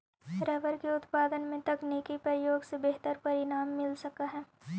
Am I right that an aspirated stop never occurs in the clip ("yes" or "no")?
yes